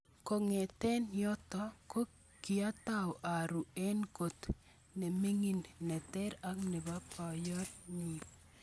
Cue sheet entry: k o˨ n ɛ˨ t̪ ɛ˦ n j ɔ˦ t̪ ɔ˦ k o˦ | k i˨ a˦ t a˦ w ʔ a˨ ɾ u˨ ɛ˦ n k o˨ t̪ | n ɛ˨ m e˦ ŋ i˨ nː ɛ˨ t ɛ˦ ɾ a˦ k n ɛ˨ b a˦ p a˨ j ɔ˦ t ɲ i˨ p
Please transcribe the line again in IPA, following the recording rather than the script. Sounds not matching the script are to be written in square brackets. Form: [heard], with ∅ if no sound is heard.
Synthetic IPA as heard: k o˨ [ŋ] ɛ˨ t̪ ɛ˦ n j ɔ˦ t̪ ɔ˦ k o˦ | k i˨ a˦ t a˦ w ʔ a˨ ɾ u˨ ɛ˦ n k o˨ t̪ | n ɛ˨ m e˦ ŋ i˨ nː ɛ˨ t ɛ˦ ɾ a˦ k n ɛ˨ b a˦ p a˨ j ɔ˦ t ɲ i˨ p